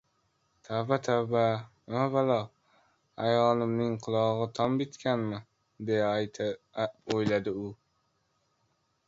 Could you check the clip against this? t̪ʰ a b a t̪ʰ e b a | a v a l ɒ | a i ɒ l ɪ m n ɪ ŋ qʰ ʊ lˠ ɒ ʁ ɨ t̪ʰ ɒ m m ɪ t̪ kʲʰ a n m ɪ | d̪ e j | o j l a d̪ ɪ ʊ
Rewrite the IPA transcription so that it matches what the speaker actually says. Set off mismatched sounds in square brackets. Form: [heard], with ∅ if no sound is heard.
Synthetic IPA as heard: t̪ʰ a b a t̪ʰ [a] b a | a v a l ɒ | a [j] ɒ l ɪ m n ɪ ŋ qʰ ʊ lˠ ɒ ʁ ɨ t̪ʰ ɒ m [b] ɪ t̪ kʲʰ a n m ɪ | d̪ e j | o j l a d̪ ɪ ʊ